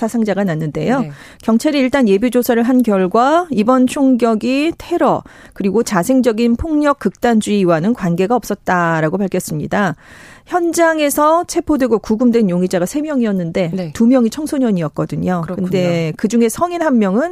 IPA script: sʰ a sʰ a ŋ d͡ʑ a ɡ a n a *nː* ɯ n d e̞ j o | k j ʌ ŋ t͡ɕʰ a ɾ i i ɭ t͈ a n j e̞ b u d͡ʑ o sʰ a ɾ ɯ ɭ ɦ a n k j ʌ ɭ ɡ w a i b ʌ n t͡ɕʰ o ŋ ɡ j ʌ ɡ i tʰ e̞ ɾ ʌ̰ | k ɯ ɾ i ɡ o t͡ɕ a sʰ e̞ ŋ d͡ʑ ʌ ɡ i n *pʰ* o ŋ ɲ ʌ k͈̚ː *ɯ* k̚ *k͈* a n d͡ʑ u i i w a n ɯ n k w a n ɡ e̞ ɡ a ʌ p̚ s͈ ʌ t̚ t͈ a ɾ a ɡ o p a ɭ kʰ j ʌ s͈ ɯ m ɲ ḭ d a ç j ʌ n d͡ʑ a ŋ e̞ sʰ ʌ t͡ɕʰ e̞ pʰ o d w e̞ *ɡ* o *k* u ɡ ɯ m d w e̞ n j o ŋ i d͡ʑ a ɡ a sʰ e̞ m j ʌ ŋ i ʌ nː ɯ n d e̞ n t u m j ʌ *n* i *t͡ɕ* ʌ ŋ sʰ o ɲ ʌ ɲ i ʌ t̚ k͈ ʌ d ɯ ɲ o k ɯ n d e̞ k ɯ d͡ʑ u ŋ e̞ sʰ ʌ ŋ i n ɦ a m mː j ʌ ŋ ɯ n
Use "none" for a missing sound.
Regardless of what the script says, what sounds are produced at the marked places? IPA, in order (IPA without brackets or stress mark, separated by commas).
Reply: nː, pʰ, ɯ, t͈, ɡ, k, ŋ, t͡ɕʰ